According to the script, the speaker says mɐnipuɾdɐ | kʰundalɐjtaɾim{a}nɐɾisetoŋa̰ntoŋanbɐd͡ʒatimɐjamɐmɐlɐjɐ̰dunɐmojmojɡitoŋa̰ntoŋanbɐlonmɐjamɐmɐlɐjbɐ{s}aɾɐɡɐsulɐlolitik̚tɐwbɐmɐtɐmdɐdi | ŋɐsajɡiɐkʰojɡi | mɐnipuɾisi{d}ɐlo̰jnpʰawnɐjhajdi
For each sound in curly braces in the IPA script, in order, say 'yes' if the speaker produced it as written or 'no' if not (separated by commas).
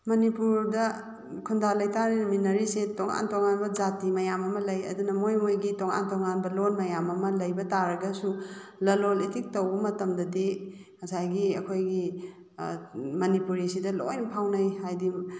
no, no, yes